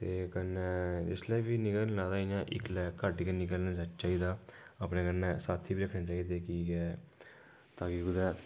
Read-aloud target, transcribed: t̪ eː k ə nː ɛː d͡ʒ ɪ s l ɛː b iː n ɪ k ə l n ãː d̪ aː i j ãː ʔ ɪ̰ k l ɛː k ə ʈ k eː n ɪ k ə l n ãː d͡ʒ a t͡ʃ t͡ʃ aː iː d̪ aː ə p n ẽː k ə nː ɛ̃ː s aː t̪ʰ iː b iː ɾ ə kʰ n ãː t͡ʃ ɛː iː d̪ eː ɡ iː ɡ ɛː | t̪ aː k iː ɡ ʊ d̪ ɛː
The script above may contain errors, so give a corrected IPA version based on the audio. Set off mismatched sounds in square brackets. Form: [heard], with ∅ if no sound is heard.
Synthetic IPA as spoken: t̪ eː k ə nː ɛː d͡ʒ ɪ s l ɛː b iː n ɪ k ə l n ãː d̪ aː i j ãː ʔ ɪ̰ k l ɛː k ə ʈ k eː n ɪ k ə l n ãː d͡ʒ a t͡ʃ t͡ʃ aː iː d̪ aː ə p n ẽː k ə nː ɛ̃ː s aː t̪ʰ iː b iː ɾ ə kʰ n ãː t͡ʃ [aː] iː d̪ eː [k] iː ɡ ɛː | t̪ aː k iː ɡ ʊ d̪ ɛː